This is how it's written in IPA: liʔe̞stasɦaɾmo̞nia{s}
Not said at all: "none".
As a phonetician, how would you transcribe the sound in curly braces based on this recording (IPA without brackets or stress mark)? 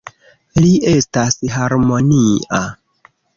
none